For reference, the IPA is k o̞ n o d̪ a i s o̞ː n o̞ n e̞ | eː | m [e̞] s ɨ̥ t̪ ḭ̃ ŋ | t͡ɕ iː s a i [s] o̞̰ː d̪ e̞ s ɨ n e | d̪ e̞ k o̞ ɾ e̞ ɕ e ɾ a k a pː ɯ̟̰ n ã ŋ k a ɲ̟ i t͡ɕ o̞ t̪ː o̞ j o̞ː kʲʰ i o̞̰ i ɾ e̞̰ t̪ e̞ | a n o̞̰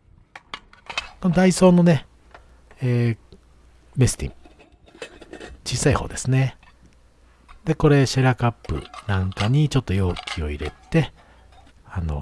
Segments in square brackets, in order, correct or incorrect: correct, incorrect: h

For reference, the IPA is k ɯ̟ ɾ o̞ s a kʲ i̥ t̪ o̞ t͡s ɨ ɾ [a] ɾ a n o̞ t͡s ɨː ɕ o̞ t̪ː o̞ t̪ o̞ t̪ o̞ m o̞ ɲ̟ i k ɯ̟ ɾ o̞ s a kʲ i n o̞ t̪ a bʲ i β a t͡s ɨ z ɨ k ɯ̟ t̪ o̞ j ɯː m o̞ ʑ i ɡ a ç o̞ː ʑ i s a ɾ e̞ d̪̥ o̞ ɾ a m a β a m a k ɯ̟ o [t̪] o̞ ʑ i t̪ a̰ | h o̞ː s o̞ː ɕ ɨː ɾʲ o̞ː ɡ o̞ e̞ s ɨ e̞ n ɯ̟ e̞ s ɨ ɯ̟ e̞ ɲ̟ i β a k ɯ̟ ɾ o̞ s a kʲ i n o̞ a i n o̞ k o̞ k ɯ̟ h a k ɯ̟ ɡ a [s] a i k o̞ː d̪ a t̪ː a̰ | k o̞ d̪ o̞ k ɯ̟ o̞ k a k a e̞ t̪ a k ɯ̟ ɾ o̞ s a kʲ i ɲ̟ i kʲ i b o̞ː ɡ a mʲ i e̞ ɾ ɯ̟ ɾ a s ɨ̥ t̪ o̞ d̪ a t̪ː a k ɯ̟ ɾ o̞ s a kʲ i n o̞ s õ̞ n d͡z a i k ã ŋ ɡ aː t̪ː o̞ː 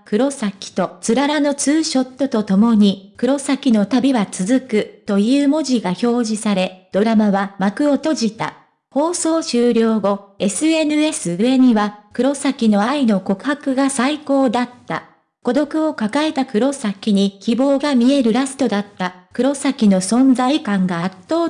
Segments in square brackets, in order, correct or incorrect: correct, correct, correct

